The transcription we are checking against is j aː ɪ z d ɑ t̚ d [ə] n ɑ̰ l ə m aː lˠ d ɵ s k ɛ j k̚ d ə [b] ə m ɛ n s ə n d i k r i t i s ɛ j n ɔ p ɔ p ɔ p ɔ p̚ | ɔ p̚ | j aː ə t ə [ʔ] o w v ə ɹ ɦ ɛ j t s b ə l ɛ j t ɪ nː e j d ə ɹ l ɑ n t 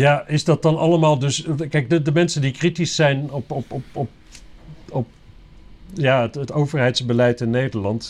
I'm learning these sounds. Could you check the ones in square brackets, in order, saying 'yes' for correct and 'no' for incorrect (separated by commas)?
no, no, no